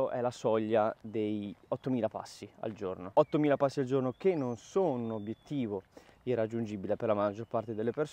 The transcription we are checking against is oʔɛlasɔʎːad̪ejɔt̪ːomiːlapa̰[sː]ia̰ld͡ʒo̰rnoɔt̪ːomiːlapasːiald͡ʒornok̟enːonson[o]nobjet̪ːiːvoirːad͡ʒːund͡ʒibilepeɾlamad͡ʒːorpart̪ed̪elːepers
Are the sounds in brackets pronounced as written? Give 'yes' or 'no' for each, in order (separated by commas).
yes, no